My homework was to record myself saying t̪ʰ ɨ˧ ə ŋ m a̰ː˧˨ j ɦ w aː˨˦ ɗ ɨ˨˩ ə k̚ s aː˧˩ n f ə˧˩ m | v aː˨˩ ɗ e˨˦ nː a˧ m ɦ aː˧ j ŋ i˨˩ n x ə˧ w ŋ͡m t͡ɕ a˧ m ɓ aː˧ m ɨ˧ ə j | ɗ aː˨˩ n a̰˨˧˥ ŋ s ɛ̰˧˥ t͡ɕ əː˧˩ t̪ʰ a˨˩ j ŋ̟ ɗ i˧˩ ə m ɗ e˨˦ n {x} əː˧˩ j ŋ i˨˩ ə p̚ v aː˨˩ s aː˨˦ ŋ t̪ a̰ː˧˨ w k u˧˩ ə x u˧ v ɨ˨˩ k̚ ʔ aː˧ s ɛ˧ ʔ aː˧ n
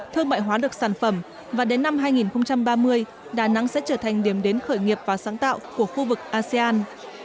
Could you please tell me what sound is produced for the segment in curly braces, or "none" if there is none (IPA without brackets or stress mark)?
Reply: x